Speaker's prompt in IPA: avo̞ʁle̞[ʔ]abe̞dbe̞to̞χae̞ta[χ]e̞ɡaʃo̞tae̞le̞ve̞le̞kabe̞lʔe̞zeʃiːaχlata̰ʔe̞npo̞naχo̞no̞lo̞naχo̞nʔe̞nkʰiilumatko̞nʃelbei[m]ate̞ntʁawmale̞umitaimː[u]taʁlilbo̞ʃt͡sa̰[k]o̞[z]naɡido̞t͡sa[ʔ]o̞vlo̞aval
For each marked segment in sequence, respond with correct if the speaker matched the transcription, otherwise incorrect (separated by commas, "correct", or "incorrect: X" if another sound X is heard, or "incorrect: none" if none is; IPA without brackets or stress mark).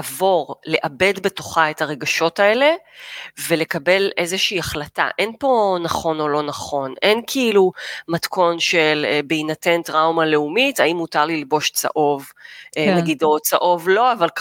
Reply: correct, incorrect: ʁ, incorrect: n, correct, incorrect: ʔ, incorrect: v, correct